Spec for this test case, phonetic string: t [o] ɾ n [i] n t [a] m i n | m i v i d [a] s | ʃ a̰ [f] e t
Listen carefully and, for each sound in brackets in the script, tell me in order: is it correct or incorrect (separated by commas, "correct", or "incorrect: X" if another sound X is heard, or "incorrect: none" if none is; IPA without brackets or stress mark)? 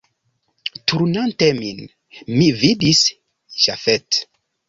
incorrect: u, incorrect: a, incorrect: e, incorrect: i, correct